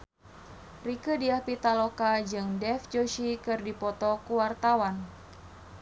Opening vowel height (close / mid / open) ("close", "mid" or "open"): close